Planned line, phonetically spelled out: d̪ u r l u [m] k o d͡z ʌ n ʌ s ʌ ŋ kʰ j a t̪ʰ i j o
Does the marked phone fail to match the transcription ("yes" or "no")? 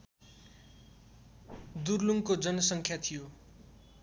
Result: yes